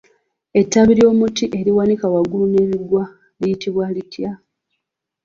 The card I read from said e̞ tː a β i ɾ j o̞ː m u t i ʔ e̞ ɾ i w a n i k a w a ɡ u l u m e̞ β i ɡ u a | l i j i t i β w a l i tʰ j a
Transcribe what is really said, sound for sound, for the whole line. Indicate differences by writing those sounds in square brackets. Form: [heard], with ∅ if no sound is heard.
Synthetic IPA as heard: e̞ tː a β i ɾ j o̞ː m u t i ʔ e̞ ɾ i w a n i k a w a ɡ u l u [n] e̞ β i ɡ [w] a | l i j i t i β w a l i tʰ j a